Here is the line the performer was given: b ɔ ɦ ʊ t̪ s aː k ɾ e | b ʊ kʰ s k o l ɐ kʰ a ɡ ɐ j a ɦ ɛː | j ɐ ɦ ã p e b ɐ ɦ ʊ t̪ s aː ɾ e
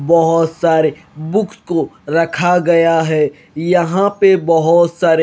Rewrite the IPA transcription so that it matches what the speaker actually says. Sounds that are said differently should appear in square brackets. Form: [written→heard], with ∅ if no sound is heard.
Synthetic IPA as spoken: b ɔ ɦ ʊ t̪ s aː [k→∅] ɾ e | b ʊ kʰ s k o [l→ɾ] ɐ kʰ a ɡ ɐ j a ɦ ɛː | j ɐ ɦ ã p e b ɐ ɦ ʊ t̪ s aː ɾ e